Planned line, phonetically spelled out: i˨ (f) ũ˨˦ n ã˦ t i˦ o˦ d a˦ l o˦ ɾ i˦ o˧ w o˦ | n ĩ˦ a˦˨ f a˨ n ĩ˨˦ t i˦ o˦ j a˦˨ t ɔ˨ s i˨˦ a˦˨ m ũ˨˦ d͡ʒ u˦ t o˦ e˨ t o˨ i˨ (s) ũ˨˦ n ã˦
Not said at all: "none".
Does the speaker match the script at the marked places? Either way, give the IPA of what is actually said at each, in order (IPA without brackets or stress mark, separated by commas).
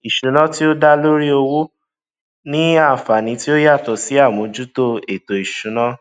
ʃ, ʃ